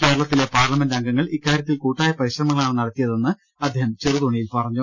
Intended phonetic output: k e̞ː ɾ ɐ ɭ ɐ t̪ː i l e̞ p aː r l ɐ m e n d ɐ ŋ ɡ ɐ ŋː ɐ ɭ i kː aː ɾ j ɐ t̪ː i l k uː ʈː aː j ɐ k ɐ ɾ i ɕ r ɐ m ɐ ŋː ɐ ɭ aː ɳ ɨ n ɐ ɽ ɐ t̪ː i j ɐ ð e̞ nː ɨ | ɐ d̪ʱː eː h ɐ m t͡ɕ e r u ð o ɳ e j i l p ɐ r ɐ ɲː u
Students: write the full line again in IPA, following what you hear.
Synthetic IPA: k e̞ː ɾ ɐ ɭ ɐ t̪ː i l e̞ p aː r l ɐ m e n d ɐ ŋ ɡ ɐ ŋː ɐ ɭ i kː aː ɾ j ɐ t̪ː i l k uː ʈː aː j ɐ p ɐ ɾ i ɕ r ɐ m ɐ ŋː ɐ ɭ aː ɳ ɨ n ɐ ɽ ɐ t̪ː i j ɐ ð e̞ nː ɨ | ɐ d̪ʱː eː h ɐ m t͡ɕ e r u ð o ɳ i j i l p ɐ r ɐ ɲː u